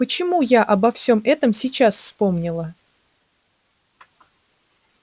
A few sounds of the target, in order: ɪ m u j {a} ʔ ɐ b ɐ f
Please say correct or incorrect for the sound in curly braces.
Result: correct